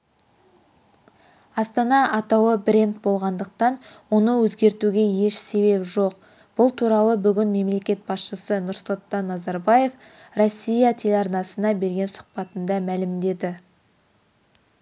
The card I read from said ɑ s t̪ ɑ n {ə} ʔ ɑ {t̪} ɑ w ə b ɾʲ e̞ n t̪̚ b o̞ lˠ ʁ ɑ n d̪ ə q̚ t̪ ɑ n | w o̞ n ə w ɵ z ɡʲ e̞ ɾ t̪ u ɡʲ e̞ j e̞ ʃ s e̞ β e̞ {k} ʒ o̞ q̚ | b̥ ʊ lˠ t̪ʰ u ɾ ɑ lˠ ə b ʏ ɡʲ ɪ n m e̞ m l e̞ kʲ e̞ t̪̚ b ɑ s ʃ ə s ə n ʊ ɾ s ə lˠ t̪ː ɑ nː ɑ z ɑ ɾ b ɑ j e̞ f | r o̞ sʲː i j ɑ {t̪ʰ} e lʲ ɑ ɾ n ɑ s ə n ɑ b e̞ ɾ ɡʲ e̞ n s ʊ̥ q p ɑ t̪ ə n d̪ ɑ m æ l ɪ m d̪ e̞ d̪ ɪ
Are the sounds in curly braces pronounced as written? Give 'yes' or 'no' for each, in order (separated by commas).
no, yes, no, yes